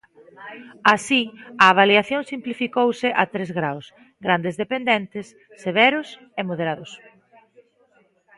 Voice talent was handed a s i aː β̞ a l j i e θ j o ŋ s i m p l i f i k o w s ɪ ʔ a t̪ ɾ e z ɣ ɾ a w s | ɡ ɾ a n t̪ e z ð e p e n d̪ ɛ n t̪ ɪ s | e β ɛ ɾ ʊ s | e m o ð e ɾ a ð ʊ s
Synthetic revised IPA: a s i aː β̞ a l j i a θ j o ŋ s i m p l i f i k o w s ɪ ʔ a t̪ ɾ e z ɣ ɾ a w s | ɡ ɾ a n d̪ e z ð e p e n d̪ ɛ n t̪ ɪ sː | e β ɛ ɾ ʊ s | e m o ð e ɾ a ð ʊ s